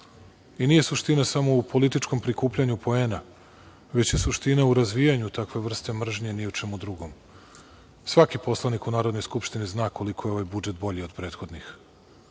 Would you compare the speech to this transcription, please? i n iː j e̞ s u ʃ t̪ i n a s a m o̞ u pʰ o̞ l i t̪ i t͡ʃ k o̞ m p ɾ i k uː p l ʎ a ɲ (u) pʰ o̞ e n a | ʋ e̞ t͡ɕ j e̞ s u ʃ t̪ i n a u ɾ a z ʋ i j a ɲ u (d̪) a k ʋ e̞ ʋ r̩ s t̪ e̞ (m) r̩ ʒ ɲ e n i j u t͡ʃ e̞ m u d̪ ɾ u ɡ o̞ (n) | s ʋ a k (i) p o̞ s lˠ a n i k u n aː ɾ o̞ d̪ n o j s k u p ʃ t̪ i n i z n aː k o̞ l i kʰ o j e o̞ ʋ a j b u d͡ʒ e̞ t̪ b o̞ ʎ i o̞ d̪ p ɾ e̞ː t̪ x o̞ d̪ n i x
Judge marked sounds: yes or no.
yes, no, yes, no, yes

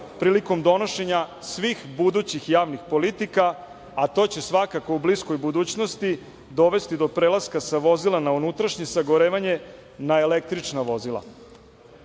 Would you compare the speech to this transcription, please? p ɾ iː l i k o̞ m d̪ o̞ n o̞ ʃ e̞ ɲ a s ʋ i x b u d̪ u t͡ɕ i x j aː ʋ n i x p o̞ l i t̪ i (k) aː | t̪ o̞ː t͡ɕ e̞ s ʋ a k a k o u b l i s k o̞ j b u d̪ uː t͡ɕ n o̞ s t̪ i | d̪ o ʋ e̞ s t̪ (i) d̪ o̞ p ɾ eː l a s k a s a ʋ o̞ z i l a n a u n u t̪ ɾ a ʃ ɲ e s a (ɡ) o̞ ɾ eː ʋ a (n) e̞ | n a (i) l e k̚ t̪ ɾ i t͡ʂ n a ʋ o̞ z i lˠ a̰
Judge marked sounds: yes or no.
yes, yes, yes, no, no

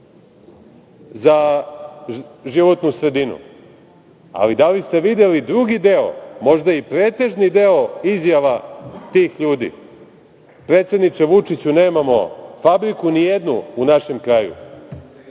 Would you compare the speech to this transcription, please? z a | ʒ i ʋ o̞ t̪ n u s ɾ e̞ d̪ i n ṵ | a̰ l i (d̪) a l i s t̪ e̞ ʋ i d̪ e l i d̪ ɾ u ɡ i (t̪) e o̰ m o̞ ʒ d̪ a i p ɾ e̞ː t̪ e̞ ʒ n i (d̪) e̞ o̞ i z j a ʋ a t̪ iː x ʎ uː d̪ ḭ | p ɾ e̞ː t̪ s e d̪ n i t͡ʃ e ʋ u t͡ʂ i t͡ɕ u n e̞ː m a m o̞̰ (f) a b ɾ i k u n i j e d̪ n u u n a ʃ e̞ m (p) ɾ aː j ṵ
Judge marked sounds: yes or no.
yes, no, yes, yes, no

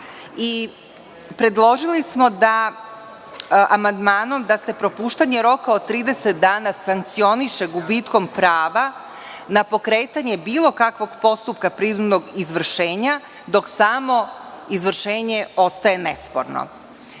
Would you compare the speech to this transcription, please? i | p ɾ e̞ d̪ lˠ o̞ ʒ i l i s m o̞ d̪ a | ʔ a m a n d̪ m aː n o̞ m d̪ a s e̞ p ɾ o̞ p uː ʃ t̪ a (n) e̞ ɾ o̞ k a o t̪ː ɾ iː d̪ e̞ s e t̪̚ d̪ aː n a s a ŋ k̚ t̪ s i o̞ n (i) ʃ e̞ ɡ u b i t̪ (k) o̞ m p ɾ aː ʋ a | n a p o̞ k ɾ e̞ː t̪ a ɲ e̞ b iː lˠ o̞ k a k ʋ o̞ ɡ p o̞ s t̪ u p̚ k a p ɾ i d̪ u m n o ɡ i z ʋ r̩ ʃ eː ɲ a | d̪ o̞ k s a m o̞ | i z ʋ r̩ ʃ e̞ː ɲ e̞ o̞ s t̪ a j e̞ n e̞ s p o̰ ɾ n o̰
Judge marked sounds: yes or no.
no, yes, yes

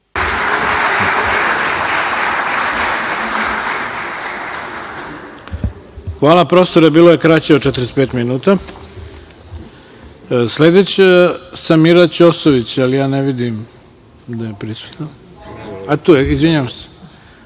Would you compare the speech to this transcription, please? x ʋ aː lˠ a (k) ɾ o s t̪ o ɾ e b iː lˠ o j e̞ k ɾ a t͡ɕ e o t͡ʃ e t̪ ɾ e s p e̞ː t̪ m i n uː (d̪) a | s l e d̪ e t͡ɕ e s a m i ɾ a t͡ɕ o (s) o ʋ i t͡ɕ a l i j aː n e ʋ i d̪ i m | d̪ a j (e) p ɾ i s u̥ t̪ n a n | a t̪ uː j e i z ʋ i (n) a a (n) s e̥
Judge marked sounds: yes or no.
no, no, yes, yes, no, no

